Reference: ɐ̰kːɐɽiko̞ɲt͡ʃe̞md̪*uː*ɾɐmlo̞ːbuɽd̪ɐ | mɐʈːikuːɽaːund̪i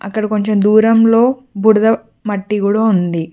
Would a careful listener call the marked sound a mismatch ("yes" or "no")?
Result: no